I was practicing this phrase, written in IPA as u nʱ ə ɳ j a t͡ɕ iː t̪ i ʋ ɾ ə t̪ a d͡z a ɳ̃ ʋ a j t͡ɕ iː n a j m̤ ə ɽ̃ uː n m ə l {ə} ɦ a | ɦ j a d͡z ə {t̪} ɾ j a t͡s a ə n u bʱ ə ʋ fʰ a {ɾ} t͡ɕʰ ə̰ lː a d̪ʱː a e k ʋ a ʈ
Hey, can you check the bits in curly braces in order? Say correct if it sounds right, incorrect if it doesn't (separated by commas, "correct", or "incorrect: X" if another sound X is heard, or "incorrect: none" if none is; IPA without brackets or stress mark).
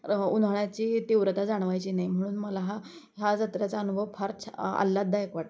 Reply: incorrect: a, correct, correct